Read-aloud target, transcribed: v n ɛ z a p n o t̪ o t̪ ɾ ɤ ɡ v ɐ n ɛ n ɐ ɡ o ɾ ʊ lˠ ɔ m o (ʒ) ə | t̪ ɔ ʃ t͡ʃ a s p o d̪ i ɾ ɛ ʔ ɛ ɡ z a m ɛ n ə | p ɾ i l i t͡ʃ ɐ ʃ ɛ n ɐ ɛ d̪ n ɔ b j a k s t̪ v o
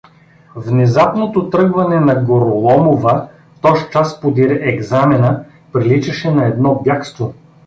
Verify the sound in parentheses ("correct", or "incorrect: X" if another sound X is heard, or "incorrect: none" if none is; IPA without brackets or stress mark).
incorrect: v